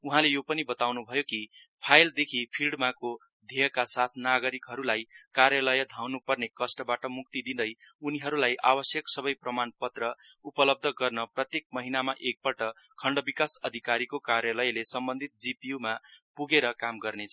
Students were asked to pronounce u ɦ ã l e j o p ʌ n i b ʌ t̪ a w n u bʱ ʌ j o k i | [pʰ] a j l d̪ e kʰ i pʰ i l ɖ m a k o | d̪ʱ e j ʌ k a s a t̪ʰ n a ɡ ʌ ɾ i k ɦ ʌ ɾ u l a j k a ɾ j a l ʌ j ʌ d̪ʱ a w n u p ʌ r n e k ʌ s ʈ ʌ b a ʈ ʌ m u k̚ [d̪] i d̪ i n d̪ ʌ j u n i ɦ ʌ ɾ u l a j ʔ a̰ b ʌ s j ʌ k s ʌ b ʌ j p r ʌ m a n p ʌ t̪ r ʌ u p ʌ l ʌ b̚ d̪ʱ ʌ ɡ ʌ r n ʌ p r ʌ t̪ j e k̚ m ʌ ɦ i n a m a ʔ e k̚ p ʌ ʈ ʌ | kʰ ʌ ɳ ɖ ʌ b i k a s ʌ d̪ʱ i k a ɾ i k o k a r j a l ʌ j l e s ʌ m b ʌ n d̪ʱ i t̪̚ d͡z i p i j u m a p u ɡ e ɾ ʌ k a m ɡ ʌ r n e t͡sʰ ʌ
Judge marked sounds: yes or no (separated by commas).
yes, no